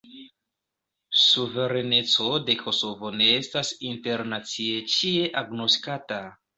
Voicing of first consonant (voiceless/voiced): voiceless